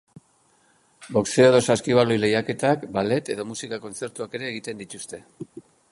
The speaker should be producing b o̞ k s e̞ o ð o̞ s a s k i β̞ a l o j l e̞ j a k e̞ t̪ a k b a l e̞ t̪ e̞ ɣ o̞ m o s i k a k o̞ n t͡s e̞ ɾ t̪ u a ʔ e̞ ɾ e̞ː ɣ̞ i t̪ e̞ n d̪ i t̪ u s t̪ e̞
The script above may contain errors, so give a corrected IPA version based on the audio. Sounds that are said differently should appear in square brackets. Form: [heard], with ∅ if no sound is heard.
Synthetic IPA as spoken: b o̞ k s e̞ o ð o̞ s a s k i β̞ a l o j l e̞ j a k e̞ t̪ a k b a l e̞ t̪ e̞ [ð] o̞ m [u] s i k a k o̞ n t͡s e̞ ɾ t̪ u a [k] e̞ ɾ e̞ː ɣ̞ i t̪ e̞ n d̪ i t̪ u s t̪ e̞